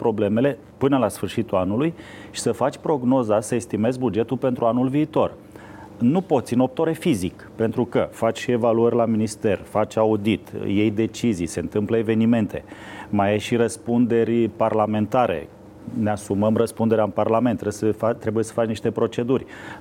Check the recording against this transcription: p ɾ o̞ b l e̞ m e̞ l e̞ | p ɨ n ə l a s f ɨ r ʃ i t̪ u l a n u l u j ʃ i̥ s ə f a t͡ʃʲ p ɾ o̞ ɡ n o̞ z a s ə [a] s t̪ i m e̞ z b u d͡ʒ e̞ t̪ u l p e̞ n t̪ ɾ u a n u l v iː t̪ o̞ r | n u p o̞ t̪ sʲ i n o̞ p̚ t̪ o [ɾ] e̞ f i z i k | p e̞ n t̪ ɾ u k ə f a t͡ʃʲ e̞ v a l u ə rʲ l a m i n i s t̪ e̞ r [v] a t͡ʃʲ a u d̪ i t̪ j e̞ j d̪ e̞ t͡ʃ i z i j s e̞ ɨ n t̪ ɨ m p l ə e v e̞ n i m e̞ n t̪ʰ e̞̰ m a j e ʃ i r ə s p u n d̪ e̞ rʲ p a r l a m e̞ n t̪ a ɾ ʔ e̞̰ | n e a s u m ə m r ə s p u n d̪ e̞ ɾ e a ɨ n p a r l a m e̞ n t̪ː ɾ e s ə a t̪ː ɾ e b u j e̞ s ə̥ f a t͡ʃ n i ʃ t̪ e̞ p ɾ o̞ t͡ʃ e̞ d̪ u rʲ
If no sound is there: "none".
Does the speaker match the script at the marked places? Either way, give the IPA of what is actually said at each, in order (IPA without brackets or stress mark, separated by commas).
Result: e, ɾ, f